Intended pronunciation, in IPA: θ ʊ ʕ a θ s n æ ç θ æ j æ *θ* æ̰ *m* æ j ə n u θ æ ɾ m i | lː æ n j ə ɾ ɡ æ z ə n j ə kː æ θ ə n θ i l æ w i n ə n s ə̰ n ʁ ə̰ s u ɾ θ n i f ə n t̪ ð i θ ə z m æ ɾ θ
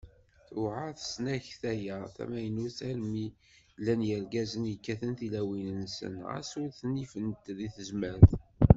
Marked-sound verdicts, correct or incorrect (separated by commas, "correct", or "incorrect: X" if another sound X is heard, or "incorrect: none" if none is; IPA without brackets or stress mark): correct, correct